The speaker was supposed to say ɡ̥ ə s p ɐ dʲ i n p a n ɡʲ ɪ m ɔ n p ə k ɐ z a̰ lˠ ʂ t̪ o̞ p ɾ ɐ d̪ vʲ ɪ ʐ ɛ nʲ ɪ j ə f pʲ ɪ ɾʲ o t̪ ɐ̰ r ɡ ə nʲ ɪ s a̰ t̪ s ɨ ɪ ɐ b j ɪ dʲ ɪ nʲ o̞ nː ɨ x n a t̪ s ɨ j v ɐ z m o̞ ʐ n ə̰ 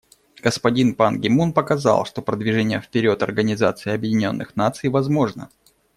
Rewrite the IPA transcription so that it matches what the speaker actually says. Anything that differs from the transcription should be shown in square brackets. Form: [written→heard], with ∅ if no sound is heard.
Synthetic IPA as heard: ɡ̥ ə s p ɐ dʲ i n p a n ɡʲ ɪ m [ɔ→u] n p ə k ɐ z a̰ lˠ ʂ t̪ o̞ p ɾ [ɐ→ə] d̪ vʲ ɪ ʐ ɛ nʲ ɪ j ə f pʲ ɪ ɾʲ o t̪ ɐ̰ r ɡ ə nʲ ɪ [s→z] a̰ t̪ s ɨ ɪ ɐ b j ɪ dʲ ɪ nʲ o̞ nː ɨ x n a t̪ s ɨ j v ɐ z m o̞ ʐ n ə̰